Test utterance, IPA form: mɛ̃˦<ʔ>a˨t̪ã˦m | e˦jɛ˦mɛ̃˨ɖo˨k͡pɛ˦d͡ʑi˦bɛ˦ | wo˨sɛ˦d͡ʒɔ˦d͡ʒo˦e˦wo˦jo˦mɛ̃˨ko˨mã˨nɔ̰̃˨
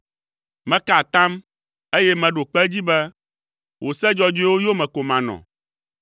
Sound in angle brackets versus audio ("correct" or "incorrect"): incorrect